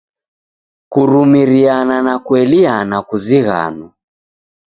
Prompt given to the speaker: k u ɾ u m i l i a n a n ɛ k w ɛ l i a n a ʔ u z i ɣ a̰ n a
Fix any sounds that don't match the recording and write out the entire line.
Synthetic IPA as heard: k u ɾ u m i ɾ i a n a n a k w ɛ l i a n a k u z i ɣ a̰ n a